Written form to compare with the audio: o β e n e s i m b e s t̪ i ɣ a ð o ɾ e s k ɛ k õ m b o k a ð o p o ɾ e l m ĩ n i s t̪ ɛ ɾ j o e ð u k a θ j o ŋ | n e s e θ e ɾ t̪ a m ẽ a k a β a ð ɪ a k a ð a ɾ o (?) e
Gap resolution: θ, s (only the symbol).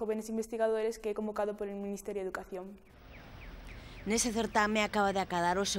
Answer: s